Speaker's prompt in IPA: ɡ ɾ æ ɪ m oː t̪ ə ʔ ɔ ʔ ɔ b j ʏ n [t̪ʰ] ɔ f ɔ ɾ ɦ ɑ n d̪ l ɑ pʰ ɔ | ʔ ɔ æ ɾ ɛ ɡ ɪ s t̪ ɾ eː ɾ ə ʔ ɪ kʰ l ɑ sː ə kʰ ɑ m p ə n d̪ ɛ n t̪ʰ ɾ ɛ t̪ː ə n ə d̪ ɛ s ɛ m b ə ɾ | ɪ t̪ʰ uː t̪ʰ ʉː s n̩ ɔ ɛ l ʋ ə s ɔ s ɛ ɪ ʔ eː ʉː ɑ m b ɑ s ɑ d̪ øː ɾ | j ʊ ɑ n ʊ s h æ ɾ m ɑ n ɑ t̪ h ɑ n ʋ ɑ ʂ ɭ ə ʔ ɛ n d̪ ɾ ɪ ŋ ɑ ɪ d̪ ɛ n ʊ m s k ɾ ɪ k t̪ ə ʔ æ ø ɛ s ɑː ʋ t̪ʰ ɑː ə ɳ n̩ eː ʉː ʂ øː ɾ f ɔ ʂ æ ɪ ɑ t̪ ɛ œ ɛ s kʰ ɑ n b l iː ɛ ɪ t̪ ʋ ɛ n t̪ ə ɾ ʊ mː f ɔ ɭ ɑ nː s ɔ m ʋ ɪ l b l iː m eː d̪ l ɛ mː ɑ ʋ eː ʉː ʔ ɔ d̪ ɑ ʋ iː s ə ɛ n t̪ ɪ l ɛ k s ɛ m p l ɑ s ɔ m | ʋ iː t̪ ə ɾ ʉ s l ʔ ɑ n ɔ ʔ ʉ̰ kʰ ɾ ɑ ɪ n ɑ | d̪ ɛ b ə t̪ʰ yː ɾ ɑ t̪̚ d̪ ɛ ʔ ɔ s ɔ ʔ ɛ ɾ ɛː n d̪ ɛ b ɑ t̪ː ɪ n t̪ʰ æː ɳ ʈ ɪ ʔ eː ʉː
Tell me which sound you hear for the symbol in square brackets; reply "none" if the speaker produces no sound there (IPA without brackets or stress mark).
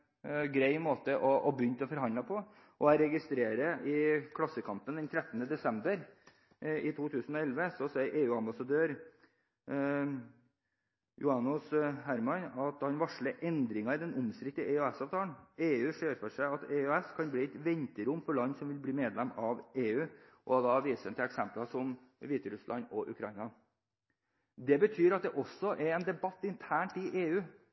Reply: t̪